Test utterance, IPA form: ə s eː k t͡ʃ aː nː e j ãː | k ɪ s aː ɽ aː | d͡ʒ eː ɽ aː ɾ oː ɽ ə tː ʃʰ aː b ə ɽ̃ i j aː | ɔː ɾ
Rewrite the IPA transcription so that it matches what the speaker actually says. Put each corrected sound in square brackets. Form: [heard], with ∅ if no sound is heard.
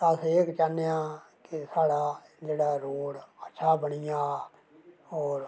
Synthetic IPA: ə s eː k t͡ʃ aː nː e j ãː | k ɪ s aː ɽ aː | d͡ʒ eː ɽ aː ɾ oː ɽ ə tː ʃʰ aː b ə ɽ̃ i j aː | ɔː ɾ